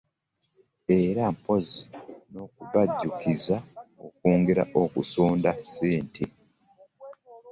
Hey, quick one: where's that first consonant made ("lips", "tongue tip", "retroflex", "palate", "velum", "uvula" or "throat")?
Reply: tongue tip